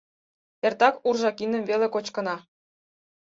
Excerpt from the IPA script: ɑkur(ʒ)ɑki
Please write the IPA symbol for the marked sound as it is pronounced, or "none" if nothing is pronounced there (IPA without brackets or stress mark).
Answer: ʒ